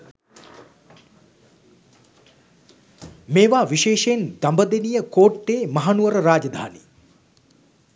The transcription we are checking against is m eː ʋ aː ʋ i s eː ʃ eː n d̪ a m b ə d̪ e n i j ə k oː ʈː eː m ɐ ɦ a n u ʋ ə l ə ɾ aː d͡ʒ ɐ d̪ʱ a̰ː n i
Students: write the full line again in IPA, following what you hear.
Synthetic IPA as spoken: m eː ʋ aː ʋ i ʃ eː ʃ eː n d̪ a m b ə d̪ e n i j ə k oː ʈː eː m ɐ ɦ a n u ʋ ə ɾ ə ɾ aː d͡ʒ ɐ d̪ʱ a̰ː n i